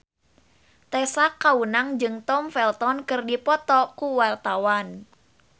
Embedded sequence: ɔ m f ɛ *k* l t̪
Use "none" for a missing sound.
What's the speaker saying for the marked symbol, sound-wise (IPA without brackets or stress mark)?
none